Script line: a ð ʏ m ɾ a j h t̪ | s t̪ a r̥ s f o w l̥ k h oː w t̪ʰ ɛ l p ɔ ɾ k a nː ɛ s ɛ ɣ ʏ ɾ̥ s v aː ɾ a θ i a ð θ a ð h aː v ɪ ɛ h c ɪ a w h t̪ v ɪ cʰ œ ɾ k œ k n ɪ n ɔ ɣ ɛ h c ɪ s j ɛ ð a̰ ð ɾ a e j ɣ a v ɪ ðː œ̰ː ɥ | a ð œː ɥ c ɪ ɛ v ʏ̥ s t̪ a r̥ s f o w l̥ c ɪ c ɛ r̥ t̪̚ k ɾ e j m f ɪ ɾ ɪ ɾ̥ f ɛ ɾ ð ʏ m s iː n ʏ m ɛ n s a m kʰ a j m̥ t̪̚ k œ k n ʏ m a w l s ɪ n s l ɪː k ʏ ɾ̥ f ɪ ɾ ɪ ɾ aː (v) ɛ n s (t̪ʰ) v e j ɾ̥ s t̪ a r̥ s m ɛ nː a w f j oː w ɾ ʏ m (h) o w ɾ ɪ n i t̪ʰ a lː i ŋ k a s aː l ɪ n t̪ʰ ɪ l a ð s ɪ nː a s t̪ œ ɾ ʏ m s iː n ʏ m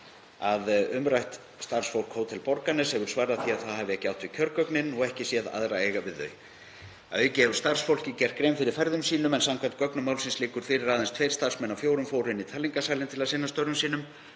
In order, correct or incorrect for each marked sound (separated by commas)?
incorrect, correct, incorrect